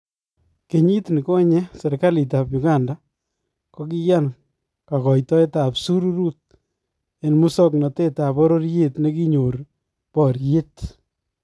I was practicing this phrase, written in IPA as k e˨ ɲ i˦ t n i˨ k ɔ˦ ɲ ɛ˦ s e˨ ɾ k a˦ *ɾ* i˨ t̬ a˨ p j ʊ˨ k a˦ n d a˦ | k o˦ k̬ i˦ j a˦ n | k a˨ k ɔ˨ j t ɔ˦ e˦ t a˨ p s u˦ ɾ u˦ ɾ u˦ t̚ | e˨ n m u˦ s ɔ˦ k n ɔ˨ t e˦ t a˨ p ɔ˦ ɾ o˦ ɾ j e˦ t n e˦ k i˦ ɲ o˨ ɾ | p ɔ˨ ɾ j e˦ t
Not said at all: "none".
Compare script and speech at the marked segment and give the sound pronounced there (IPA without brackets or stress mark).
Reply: l